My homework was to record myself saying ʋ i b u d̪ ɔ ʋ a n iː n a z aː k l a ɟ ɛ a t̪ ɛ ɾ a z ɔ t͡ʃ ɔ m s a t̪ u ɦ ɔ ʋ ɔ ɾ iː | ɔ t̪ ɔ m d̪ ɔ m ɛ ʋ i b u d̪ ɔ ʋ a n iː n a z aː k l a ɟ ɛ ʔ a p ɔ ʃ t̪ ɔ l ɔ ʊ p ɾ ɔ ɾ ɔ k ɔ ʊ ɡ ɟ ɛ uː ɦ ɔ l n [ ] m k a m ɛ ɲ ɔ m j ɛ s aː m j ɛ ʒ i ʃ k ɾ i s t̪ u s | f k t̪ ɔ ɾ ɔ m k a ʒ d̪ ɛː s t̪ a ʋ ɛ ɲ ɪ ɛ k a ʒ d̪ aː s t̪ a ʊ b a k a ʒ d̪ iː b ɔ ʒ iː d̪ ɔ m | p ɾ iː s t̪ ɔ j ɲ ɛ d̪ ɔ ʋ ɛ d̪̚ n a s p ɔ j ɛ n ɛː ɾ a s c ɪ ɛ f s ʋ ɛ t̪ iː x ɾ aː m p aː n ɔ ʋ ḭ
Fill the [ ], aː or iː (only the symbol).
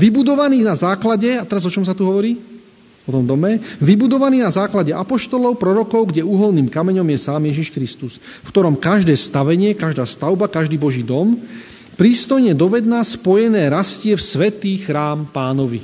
iː